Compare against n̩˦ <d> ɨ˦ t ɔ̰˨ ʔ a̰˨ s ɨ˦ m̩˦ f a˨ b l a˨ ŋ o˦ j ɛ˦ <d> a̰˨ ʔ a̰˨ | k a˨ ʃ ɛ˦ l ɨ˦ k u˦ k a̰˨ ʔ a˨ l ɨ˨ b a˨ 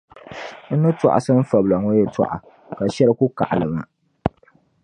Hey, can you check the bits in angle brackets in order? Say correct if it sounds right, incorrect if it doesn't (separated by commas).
incorrect, incorrect